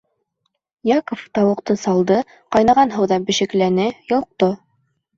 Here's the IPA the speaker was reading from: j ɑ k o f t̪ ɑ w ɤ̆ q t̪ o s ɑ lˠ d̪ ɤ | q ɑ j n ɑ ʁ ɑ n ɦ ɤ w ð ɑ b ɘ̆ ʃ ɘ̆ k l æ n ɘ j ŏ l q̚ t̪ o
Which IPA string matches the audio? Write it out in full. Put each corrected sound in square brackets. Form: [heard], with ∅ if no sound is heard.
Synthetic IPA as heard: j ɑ k o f t̪ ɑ w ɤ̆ q t̪ [ɤ] s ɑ lˠ d̪ ɤ | q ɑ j n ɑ ʁ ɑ n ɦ ɤ w ð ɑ b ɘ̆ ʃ ɘ̆ k l æ n ɘ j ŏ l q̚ t̪ o